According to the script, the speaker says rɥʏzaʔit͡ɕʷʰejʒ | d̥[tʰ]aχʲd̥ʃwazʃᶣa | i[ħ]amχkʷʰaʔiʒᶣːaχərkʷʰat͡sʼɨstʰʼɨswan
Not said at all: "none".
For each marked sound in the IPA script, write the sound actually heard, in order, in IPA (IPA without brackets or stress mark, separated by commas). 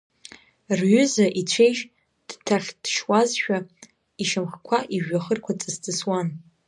tʰ, ʃ